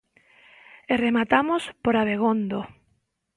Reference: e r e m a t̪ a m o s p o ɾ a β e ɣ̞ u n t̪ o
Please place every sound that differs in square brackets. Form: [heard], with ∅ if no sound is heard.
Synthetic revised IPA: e r e m a t̪ a m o s p o ɾ a β e ɣ̞ [o] n [d̪] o